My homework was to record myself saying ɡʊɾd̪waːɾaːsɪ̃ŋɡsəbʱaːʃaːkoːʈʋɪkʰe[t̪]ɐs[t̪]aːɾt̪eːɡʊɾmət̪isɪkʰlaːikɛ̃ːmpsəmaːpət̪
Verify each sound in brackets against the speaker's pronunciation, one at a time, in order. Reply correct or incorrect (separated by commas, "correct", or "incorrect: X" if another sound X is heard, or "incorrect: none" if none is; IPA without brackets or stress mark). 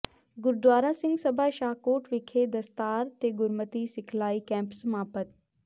incorrect: d̪, correct